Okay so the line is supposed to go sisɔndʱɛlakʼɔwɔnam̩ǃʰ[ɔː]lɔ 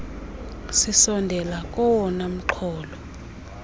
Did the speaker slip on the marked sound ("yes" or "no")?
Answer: no